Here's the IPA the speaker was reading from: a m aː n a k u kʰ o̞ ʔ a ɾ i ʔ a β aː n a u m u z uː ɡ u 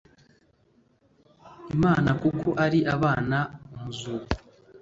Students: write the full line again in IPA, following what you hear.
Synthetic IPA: i m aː n a k u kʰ o̞ ʔ a ɾ i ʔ a β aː n a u m u z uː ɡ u